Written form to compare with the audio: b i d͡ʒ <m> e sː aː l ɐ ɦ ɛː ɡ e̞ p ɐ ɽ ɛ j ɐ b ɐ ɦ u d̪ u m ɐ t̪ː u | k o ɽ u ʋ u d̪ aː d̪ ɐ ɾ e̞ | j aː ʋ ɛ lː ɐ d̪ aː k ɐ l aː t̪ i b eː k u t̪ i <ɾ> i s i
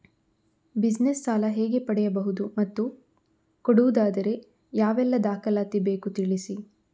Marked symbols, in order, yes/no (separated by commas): no, no